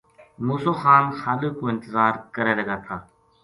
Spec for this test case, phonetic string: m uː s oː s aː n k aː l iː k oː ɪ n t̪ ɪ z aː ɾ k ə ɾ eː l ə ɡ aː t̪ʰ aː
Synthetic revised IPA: m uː s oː x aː n x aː l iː k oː ɪ n t̪ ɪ z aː ɾ k ə ɾ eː l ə ɡ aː t̪ʰ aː